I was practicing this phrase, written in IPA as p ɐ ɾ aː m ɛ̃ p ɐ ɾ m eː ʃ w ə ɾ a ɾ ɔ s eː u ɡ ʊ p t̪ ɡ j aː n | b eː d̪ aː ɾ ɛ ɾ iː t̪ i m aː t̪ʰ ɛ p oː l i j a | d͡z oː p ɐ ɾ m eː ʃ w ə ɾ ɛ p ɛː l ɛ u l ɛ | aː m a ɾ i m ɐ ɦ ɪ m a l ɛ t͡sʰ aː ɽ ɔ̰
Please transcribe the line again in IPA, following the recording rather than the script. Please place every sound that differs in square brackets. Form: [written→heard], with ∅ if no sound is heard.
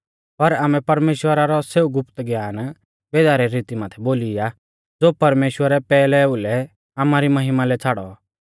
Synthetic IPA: p ɐ ɾ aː m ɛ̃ p ɐ ɾ m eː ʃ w ə ɾ a ɾ ɔ s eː u ɡ ʊ p t̪ ɡ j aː n | b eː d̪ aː ɾ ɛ ɾ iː t̪ i m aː t̪ʰ ɛ [p→b] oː l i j a | d͡z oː p ɐ ɾ m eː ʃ w ə ɾ ɛ p ɛː l ɛ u l ɛ | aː m a ɾ i m ɐ ɦ ɪ m a l ɛ t͡sʰ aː ɽ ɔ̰